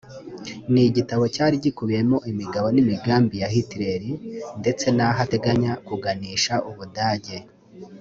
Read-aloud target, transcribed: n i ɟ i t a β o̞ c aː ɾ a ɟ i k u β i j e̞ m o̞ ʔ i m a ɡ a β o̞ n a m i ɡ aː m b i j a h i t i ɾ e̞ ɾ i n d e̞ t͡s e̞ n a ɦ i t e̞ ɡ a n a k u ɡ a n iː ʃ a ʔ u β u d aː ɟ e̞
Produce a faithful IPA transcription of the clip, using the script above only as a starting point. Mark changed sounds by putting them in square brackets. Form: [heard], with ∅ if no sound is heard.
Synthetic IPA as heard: n i ɟ i t a β o̞ c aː ɾ [i] ɟ i k u β i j e̞ m o̞ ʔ i m [i] ɡ a β o̞ n [i] m i ɡ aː m b i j a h i t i ɾ e̞ ɾ i n d e̞ t͡s e̞ n a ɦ [a] t e̞ ɡ a [ɲ] a k u ɡ a n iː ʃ a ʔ u β u d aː ɟ e̞